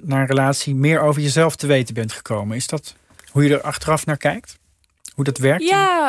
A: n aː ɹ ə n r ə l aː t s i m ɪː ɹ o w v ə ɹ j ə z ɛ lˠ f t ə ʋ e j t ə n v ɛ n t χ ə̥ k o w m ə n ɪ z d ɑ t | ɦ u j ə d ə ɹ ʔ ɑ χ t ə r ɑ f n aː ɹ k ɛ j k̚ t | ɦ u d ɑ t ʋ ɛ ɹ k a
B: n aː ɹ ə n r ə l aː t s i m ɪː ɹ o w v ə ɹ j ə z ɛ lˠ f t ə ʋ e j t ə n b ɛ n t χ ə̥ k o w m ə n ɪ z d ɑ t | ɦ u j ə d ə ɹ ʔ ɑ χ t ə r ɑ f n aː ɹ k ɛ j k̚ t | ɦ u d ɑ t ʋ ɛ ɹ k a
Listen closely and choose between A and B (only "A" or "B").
B